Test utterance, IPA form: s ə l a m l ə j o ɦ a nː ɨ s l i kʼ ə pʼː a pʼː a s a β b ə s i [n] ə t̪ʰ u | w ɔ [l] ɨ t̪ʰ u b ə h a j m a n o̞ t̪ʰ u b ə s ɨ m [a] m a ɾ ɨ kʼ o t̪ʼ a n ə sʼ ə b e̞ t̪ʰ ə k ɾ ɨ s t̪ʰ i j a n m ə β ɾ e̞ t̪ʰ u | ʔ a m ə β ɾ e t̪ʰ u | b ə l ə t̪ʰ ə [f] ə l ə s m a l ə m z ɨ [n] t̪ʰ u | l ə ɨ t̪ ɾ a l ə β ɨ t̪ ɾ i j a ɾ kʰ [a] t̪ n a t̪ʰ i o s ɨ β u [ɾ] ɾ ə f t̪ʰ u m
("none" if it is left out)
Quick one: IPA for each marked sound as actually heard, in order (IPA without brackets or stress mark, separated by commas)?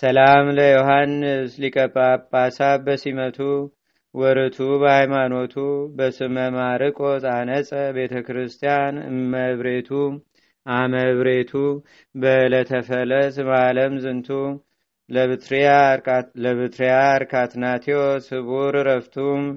m, ɾ, ə, f, n, a, ɾ